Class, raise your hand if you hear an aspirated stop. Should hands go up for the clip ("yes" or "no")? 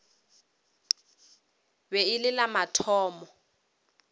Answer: yes